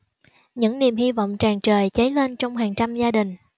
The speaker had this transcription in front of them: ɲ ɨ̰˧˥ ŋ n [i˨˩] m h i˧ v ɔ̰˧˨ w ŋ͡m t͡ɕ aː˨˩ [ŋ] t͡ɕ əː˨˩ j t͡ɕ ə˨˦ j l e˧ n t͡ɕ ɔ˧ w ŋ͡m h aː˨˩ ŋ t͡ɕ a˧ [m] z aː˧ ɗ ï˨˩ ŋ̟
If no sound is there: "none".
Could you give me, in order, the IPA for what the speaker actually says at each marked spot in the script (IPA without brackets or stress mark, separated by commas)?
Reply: i˨˩, ŋ, m